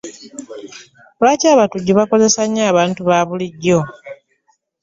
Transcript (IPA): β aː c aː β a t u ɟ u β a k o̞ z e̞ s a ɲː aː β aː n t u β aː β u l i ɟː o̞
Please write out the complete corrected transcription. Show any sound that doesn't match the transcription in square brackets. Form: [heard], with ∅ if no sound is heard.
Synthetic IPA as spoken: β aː c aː β a t u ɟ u β a k o̞ z e̞ s a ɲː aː β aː n t u β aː β u l i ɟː o̞